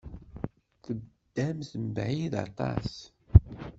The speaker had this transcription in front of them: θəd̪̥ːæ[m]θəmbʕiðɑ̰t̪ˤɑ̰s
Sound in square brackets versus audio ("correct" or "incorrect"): correct